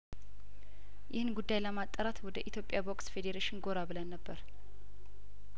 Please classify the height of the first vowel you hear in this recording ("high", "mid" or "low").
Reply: high